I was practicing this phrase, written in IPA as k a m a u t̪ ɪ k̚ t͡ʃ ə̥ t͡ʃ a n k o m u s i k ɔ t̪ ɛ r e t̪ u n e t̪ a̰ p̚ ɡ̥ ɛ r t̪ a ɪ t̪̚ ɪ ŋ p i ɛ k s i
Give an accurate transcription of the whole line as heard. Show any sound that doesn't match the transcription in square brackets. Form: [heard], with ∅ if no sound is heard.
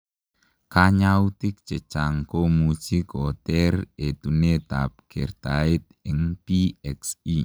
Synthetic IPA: k a [ɲ] a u t̪ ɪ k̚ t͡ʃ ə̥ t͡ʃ a [ŋ] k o m u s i k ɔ t̪ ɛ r e t̪ u n e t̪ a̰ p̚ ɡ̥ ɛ r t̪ a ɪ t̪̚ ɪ ŋ p i ɛ k s i